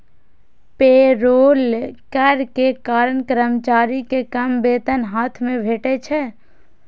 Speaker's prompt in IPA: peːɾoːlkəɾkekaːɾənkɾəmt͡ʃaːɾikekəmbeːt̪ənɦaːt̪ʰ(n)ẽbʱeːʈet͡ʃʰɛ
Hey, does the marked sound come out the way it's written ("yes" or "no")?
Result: no